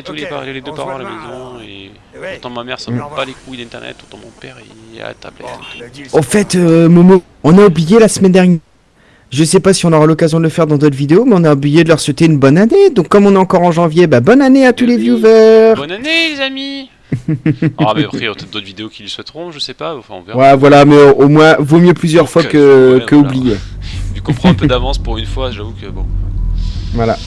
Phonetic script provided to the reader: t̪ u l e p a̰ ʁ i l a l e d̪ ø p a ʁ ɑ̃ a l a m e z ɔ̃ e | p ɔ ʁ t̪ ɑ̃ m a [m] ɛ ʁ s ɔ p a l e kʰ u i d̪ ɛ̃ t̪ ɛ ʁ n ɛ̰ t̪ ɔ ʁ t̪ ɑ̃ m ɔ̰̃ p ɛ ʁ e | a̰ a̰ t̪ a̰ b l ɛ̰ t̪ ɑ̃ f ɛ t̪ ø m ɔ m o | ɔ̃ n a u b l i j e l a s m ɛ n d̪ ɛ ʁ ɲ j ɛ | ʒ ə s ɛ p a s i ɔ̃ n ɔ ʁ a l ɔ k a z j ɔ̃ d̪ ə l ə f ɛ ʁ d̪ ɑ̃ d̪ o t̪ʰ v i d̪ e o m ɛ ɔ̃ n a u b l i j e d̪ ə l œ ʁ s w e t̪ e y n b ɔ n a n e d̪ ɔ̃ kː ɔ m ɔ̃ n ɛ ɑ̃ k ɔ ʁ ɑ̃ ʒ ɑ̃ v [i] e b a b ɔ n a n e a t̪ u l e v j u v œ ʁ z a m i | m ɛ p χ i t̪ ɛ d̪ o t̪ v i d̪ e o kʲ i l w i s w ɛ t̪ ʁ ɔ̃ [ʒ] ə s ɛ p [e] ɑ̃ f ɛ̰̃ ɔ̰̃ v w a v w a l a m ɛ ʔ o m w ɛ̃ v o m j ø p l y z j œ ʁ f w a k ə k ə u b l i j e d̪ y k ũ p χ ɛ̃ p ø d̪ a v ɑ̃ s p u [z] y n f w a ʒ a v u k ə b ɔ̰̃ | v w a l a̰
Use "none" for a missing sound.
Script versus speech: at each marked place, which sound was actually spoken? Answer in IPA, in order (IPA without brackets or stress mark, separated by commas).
m, j, ʒ, a, ʁ